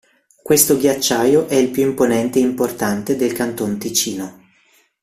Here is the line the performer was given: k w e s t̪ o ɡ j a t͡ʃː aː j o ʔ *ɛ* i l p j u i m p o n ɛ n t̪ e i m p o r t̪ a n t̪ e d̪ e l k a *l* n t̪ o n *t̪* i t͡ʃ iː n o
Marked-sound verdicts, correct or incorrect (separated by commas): correct, incorrect, correct